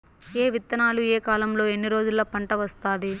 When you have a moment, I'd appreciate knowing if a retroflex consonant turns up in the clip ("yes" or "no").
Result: yes